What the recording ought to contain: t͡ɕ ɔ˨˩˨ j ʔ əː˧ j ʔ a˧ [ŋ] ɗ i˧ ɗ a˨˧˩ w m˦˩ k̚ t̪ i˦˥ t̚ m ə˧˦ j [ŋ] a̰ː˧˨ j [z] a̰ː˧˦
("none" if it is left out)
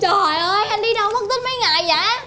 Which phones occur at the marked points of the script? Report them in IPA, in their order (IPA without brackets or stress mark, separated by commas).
n, ŋ, z